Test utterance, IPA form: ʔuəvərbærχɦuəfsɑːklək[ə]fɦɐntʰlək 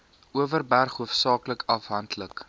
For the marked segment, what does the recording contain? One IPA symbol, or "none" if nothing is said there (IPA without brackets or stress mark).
ɐ